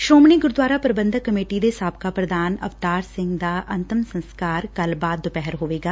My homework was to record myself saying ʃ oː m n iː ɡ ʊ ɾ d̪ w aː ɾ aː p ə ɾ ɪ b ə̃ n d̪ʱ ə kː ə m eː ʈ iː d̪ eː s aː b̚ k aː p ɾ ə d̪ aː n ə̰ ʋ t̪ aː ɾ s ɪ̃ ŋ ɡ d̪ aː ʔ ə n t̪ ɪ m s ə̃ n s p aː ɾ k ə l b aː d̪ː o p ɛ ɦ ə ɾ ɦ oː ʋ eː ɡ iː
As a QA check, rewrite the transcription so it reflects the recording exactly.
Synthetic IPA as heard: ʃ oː m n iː ɡ ʊ ɾ d̪ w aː ɾ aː p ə ɾ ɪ b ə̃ n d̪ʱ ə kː ə m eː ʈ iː d̪ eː s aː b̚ k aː p ɾ ə d̪ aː n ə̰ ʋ t̪ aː ɾ s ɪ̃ ŋ ɡ d̪ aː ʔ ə n t̪ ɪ m s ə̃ n s k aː ɾ k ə l b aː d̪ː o p ɛ ɦ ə ɾ ɦ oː ʋ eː ɡ aː